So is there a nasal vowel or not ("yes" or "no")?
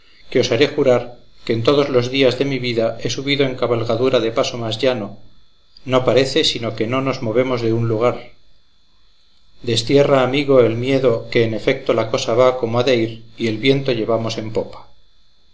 no